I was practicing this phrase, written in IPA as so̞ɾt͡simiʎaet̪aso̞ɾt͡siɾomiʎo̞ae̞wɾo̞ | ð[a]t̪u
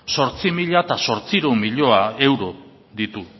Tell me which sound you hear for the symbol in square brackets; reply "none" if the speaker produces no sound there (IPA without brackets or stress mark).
i